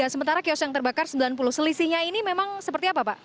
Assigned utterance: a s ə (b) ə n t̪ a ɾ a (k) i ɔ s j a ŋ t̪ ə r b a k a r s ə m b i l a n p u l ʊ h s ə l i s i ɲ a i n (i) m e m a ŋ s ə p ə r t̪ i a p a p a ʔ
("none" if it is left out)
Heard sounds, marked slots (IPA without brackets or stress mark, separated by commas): m, k, i